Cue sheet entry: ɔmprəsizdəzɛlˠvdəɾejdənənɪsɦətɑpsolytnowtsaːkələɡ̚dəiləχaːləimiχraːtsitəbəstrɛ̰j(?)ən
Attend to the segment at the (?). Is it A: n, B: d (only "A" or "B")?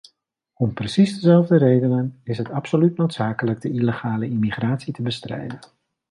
B